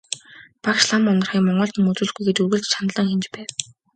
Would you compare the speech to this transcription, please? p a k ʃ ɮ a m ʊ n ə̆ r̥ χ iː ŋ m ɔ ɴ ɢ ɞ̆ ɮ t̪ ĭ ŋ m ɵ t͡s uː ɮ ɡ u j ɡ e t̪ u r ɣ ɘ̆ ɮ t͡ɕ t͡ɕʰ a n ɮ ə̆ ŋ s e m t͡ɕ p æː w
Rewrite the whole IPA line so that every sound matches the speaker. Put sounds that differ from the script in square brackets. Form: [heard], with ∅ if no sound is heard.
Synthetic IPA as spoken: p a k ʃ ɮ a m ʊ n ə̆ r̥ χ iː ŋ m ɔ ɴ ɢ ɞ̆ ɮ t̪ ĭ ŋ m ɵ t͡s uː ɮ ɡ u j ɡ e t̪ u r ɣ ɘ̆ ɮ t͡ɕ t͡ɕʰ a n ɮ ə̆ ŋ [x] e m t͡ɕ p æː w